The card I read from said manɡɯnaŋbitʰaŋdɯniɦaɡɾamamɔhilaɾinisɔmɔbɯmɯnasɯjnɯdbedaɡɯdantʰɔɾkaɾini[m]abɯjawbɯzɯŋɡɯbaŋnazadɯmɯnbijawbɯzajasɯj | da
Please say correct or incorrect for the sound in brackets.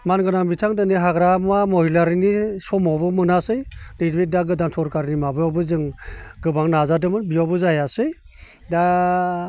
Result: correct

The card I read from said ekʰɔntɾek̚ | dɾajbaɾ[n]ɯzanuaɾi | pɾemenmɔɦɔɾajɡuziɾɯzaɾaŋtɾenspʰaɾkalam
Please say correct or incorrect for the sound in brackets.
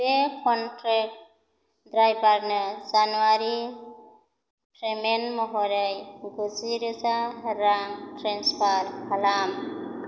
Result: correct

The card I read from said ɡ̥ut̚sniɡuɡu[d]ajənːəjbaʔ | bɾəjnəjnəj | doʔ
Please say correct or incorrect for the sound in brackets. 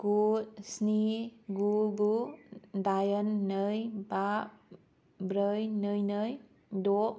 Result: correct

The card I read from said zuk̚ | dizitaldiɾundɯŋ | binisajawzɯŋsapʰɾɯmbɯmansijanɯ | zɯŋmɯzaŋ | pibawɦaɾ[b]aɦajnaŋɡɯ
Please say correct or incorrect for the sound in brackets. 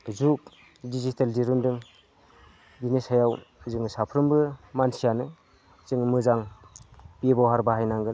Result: correct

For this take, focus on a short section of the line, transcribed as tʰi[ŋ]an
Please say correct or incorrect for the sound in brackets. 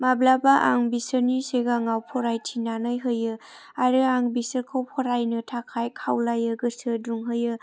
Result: incorrect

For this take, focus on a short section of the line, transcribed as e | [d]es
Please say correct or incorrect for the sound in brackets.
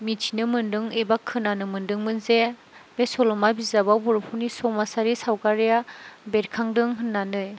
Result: incorrect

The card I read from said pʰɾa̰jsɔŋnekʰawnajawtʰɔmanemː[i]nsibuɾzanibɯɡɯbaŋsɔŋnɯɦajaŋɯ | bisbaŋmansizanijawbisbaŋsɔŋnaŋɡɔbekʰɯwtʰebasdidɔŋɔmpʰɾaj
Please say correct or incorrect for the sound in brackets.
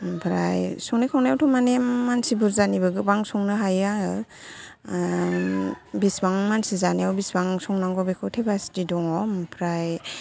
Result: incorrect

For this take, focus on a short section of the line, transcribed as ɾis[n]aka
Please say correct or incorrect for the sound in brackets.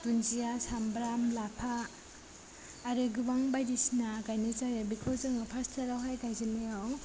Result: correct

